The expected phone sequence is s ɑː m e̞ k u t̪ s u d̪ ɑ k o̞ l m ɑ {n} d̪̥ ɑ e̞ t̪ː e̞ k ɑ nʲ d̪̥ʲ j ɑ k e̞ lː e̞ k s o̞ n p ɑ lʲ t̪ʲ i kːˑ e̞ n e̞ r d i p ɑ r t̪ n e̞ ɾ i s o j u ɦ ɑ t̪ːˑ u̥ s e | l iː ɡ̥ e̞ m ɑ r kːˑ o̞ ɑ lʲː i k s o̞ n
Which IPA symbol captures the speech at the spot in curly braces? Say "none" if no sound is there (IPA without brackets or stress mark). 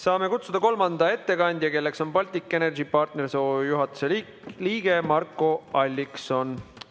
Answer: n